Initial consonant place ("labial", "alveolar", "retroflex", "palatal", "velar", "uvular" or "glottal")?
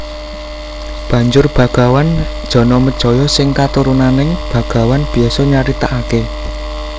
labial